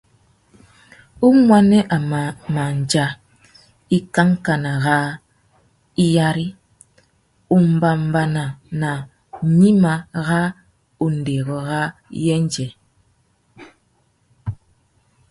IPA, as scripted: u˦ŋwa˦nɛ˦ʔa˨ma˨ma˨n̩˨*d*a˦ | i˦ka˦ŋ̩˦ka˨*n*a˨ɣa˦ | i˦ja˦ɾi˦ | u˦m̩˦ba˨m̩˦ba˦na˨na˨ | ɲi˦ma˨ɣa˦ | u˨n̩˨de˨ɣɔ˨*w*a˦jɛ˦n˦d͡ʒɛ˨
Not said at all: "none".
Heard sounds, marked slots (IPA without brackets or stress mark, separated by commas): d͡ʒ, n, ɣ